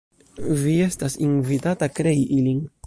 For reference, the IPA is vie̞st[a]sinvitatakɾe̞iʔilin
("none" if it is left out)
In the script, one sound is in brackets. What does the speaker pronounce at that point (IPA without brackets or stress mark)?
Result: a